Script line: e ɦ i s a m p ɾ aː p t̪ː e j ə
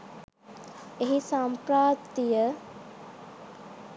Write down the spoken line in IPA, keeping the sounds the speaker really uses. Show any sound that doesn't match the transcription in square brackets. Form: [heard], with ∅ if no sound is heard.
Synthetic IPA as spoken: e ɦ i s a m p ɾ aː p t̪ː [i] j ə